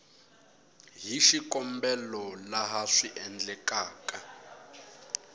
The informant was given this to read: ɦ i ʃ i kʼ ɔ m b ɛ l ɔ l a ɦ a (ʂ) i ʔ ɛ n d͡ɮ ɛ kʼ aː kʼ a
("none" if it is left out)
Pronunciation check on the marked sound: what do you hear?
ʂ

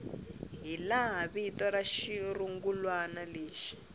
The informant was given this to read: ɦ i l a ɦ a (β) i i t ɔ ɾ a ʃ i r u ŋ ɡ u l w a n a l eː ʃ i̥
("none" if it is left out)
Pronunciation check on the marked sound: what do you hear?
β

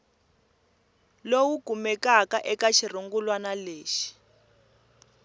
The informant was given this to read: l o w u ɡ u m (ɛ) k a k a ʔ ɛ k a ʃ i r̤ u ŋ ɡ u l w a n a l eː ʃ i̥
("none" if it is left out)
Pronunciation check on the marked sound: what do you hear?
ɛ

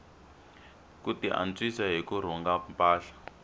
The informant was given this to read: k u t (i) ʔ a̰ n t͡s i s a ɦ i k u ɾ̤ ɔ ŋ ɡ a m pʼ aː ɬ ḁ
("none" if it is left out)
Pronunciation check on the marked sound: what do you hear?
i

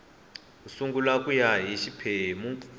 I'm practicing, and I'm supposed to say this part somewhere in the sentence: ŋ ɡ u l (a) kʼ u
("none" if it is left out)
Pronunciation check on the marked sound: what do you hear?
a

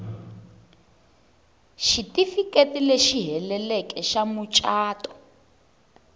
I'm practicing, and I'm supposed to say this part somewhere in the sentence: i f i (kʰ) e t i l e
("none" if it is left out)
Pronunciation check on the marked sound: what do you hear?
k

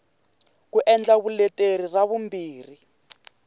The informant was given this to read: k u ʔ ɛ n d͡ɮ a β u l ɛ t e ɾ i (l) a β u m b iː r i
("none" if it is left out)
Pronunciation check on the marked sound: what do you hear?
r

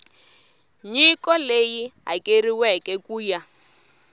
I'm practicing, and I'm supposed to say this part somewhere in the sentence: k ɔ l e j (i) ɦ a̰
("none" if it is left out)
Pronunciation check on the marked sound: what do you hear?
i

